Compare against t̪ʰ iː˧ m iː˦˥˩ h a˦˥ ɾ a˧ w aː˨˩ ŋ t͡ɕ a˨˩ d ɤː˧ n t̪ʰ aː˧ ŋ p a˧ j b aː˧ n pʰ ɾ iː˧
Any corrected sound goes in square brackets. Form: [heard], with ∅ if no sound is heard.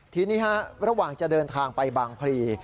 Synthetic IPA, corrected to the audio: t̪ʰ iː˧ [n] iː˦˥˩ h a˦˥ ɾ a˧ w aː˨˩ ŋ t͡ɕ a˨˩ d ɤː˧ n t̪ʰ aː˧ ŋ p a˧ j b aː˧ [ŋ] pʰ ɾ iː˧